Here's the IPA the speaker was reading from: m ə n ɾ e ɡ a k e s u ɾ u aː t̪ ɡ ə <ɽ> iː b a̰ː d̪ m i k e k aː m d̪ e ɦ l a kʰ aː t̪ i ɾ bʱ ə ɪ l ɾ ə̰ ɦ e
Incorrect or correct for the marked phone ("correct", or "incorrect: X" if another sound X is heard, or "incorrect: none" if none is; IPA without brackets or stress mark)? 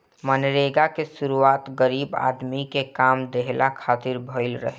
incorrect: ɾ